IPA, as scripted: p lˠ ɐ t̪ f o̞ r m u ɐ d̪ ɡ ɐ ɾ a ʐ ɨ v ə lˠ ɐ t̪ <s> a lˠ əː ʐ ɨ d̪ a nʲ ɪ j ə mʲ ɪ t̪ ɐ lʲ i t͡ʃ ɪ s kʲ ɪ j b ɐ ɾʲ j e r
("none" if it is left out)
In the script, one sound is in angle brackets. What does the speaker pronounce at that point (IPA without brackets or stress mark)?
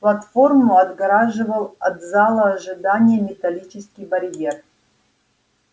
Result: z